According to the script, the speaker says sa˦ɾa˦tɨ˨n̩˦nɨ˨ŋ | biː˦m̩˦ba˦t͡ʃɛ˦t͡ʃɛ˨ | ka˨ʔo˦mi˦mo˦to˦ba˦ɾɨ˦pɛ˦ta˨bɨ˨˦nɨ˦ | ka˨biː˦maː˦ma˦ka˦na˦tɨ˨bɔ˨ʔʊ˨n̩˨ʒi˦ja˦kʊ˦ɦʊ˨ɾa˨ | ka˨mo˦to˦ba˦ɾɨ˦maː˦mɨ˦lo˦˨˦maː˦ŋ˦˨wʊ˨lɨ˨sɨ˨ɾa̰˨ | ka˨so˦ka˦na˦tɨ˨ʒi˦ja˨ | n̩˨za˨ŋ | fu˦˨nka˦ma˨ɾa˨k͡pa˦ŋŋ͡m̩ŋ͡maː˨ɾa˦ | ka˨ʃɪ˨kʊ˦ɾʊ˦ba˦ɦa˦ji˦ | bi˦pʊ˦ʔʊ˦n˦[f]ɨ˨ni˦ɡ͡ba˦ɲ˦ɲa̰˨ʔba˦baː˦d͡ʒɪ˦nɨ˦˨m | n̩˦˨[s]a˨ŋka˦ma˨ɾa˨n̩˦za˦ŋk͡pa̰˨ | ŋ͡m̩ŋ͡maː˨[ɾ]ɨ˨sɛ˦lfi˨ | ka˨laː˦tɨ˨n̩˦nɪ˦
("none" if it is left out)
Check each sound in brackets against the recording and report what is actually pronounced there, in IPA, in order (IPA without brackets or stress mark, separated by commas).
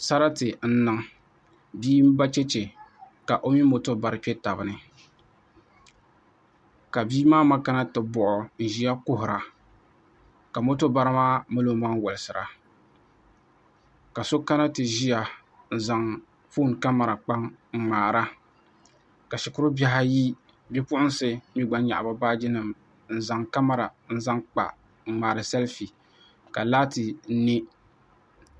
s, z, ɾ